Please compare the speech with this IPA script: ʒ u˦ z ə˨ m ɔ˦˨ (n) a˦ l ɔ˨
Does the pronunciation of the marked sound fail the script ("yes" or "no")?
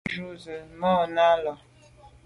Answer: no